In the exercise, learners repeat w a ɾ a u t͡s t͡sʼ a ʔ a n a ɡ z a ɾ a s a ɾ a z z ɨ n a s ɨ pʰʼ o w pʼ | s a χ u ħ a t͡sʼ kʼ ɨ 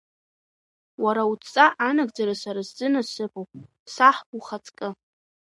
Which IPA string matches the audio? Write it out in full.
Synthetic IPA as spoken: w a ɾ a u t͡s t͡sʼ a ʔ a n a ɡ d͡z a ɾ a s a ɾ a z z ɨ n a s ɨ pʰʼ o w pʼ | s a ħ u χ a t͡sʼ kʼ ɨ